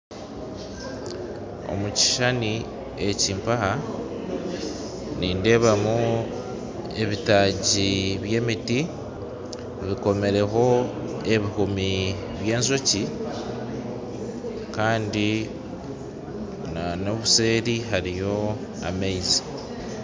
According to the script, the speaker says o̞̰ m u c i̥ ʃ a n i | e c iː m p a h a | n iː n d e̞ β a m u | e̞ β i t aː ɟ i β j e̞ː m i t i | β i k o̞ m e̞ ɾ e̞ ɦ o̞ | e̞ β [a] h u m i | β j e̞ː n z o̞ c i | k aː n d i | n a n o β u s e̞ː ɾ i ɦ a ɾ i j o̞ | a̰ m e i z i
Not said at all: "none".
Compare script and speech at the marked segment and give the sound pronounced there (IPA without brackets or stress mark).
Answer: i